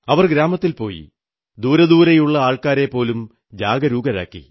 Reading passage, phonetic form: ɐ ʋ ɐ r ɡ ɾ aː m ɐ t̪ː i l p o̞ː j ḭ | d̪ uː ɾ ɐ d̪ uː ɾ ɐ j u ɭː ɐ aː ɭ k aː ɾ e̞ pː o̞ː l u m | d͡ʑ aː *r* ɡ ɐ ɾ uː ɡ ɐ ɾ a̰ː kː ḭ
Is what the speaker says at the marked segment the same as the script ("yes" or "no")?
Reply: no